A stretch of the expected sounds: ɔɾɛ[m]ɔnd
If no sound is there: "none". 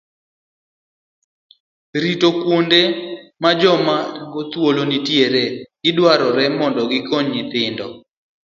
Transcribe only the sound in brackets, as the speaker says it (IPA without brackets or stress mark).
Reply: m